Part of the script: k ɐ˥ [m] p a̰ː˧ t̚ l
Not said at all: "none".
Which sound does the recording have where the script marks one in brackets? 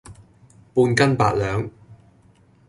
n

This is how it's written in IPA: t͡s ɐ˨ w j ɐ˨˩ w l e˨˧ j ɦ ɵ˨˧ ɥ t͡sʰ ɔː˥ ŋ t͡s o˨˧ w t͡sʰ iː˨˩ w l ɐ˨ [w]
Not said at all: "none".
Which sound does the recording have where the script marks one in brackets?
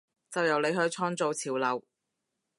w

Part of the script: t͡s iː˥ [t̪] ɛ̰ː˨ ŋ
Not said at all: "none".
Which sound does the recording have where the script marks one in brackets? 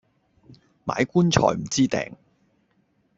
t̪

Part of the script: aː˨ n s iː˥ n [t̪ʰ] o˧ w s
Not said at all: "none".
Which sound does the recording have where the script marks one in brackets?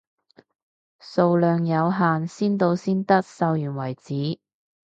t̪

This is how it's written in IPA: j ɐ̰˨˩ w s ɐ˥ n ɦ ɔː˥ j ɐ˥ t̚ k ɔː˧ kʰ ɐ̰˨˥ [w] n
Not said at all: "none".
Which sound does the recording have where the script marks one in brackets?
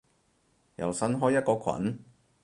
none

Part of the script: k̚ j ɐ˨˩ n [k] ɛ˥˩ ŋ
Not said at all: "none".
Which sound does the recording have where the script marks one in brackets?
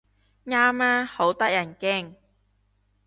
k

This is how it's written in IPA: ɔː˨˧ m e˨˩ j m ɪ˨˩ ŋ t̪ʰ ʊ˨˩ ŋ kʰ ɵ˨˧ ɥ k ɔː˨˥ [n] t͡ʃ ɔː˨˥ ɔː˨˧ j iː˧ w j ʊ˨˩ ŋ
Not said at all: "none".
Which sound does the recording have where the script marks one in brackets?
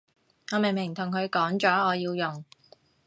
ŋ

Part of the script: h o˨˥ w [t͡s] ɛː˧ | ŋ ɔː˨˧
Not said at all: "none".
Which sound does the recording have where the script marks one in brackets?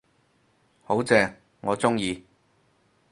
t͡s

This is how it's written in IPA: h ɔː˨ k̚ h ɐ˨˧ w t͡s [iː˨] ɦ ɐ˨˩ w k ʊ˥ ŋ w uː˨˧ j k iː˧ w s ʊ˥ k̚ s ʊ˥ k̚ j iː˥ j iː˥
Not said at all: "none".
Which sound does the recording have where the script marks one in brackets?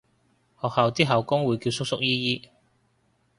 iː˥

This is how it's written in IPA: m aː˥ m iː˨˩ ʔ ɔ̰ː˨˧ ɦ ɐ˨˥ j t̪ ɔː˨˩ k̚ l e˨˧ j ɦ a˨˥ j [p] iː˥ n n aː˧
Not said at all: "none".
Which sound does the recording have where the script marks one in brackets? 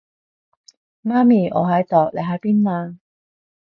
p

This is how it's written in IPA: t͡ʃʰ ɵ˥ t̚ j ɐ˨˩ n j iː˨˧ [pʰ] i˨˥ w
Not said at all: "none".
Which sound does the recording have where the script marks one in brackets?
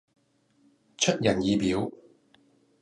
p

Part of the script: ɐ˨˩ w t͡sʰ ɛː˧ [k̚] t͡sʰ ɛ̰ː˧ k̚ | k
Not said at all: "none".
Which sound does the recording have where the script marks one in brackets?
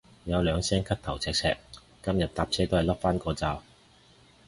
k̚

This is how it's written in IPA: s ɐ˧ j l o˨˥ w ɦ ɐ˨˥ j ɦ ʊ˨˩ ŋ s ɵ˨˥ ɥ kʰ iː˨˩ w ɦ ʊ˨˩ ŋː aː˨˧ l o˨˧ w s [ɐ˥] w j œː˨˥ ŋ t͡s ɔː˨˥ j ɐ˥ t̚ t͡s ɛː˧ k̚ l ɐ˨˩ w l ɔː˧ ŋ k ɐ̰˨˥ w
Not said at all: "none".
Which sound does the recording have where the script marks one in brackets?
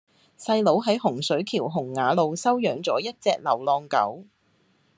ɐ˥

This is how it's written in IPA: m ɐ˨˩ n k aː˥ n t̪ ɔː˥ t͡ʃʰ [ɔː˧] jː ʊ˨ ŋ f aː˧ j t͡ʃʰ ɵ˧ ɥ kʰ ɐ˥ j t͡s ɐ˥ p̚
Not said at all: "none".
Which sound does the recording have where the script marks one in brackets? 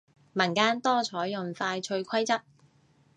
ɔː˨˥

